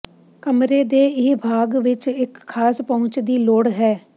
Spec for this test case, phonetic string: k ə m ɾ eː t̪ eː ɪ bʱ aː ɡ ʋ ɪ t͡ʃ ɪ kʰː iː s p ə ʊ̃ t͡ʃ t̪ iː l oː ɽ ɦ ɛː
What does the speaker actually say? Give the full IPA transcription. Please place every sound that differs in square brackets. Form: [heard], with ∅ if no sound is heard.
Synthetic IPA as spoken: k ə m ɾ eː [d̪] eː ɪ bʱ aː ɡ ʋ ɪ t͡ʃ ɪ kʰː [aː] s p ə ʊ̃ t͡ʃ [d̪] iː l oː ɽ ɦ ɛː